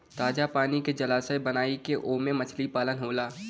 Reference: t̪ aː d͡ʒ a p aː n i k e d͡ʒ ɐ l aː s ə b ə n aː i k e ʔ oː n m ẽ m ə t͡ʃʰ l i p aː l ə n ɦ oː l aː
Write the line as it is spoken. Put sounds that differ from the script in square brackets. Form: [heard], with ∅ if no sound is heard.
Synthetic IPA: t̪ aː d͡ʒ a p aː n i k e d͡ʒ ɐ l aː s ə b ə n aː i k e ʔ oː [∅] m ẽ m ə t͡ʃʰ l i p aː l ə n ɦ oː l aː